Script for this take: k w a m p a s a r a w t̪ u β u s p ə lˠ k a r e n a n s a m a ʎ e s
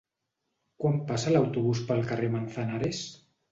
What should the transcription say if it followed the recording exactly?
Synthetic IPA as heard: k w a m p a s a l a w t̪ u β u s p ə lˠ k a r e m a n θ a n a ɾ e s